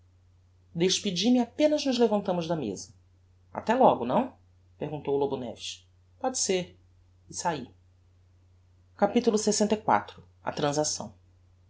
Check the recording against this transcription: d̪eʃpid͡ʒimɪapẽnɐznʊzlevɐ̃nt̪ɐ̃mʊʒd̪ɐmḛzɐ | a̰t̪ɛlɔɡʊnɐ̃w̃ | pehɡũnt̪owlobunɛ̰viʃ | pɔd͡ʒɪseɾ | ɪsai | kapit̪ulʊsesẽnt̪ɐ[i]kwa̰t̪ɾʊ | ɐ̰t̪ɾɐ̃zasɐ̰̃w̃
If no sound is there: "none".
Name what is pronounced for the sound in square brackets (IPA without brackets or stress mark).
j